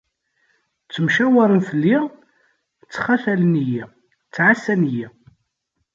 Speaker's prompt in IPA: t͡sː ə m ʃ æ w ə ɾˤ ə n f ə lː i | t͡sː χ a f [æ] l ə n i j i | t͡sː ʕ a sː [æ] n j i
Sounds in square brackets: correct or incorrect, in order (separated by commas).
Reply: correct, correct